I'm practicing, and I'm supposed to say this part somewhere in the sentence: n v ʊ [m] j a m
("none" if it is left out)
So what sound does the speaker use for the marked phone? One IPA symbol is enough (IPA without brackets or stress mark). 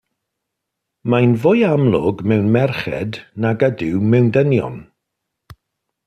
none